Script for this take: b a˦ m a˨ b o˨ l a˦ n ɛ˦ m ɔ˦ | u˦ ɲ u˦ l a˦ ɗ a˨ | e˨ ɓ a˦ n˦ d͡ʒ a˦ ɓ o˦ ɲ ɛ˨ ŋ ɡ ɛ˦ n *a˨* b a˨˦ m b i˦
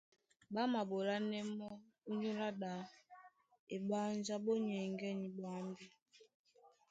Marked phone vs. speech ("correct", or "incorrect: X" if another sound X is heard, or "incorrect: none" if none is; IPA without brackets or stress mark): incorrect: i˨